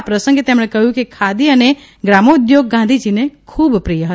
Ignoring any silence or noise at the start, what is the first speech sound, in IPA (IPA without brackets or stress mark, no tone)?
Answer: p